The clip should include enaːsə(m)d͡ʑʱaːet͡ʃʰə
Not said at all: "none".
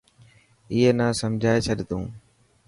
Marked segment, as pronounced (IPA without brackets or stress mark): m